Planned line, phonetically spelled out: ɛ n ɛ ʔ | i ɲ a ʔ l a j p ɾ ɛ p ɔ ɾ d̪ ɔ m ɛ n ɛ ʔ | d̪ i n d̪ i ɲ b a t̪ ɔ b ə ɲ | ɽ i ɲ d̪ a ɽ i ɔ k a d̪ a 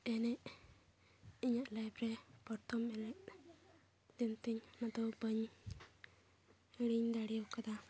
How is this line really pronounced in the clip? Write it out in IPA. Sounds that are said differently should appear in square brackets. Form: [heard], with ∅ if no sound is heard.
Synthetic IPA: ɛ n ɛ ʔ | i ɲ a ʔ l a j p ɾ ɛ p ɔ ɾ [t̪] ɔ m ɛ n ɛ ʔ | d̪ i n [t̪] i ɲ [m] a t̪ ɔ b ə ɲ | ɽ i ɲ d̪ a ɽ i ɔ k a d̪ a